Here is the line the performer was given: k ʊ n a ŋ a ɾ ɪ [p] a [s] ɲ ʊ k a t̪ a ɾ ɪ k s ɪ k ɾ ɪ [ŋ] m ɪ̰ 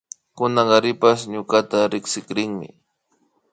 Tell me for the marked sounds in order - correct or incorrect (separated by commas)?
correct, correct, correct